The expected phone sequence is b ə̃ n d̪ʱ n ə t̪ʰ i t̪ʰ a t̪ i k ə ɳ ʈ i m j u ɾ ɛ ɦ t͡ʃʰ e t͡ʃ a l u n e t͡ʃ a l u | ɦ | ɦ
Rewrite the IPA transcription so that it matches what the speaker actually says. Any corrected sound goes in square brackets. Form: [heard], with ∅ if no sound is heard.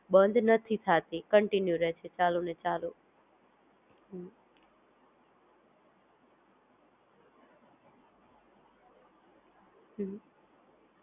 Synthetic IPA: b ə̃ n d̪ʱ n ə t̪ʰ i t̪ʰ a t̪ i k ə ɳ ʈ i [n] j u ɾ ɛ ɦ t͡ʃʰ e t͡ʃ a l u n e t͡ʃ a l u | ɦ | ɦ